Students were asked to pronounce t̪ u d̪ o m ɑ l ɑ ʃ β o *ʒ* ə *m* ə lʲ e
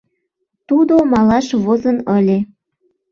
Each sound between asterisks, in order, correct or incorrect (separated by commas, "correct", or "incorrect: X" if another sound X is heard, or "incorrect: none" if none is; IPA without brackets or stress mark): incorrect: z, incorrect: n